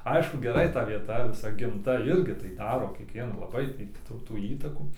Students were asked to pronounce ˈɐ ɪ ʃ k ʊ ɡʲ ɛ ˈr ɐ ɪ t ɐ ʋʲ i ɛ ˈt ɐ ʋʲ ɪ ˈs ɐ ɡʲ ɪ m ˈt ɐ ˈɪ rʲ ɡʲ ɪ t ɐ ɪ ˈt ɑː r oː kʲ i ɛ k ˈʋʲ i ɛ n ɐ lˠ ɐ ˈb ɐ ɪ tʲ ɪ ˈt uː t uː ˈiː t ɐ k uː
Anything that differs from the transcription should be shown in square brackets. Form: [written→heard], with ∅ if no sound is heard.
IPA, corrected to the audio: ˈɐ ɪ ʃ k ʊ ɡʲ ɛ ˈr ɐ ɪ t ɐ ʋʲ i ɛ ˈt ɐ ʋʲ ɪ ˈs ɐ ɡʲ ɪ m ˈt ɐ ˈɪ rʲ ɡʲ ɪ t ɐ ɪ [ˈt→ˈd] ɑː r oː kʲ i ɛ k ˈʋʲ i ɛ n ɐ lˠ ɐ ˈb ɐ ɪ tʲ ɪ ˈt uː t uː ˈiː t ɐ k uː